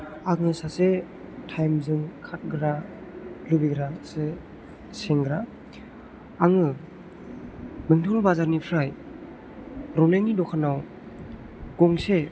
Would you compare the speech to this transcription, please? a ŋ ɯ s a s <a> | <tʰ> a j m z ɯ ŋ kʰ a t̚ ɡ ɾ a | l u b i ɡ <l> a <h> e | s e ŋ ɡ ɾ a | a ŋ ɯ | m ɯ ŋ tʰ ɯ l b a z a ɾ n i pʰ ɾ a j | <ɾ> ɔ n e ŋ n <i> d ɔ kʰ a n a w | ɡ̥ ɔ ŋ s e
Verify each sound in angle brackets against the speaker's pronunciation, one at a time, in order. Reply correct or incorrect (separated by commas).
incorrect, correct, incorrect, incorrect, correct, correct